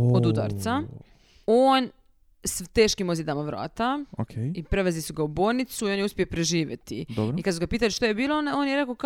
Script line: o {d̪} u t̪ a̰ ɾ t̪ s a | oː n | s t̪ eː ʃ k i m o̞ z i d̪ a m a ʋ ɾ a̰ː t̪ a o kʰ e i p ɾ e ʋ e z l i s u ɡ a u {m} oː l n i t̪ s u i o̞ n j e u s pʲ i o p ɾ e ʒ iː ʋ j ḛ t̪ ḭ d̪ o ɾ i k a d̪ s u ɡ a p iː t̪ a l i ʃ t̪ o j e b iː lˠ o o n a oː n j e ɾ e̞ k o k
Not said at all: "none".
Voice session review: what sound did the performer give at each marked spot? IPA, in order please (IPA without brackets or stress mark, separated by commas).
d̪, b